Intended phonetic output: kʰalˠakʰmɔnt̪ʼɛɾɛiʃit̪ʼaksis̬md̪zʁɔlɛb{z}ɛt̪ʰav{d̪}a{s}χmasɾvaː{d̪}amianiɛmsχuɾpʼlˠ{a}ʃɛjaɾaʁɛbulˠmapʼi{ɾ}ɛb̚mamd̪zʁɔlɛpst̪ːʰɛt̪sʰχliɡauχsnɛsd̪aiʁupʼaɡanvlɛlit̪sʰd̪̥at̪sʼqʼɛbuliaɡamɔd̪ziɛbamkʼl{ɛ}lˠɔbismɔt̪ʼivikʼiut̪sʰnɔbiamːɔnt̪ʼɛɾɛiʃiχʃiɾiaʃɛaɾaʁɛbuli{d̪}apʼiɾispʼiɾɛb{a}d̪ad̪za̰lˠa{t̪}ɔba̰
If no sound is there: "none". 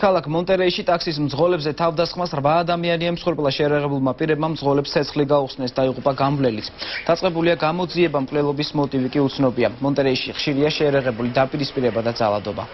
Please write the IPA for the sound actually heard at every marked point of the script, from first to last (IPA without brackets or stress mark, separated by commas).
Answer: z, d̪, s, d̪, a, ɾ, ɛ, d̪, a, d̪